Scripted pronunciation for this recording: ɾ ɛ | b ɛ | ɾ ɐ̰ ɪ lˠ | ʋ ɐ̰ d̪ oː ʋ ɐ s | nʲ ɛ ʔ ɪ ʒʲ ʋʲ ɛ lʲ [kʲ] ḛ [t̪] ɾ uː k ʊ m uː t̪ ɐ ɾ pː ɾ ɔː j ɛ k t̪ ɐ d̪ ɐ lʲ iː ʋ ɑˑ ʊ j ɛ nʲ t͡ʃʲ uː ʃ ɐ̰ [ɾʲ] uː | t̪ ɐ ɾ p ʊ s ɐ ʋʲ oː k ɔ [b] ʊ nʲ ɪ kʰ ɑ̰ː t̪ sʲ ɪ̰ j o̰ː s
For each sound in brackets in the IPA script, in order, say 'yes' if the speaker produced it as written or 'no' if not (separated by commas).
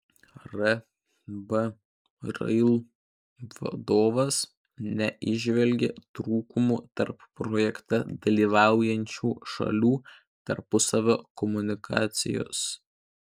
no, yes, no, no